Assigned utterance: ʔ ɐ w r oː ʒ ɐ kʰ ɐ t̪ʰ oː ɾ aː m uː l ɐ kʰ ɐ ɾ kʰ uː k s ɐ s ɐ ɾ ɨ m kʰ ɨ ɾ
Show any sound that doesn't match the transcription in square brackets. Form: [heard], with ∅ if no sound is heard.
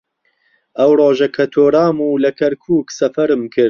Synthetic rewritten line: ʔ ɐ w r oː ʒ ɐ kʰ ɐ t̪ʰ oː ɾ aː m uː l ɐ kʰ ɐ ɾ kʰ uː k s ɐ [f] ɐ ɾ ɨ m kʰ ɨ ɾ